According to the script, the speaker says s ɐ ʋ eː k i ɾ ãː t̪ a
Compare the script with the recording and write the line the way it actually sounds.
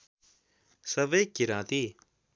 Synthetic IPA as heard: s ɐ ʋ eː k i ɾ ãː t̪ i